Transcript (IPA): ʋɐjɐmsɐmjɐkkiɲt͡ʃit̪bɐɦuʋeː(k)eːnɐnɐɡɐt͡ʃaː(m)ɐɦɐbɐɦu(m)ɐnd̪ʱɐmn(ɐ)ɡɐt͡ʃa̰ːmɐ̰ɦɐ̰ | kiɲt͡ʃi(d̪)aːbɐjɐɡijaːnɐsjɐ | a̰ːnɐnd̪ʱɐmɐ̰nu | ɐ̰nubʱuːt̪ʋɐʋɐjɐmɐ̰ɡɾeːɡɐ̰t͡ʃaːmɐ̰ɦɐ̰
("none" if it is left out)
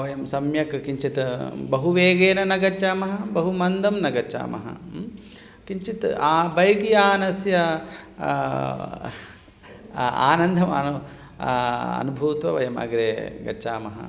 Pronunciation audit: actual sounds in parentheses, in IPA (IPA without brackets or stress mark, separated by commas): ɡ, m, m, ɐ, t̪